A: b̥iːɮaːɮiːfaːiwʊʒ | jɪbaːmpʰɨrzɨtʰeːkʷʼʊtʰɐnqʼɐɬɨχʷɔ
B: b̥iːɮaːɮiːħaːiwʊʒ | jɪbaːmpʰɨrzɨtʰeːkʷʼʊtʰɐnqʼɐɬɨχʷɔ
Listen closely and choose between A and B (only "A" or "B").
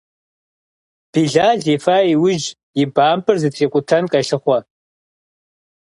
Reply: A